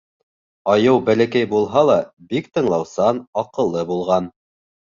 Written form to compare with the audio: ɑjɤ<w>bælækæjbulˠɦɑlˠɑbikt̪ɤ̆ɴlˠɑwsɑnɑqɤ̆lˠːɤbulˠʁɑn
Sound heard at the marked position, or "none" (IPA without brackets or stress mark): w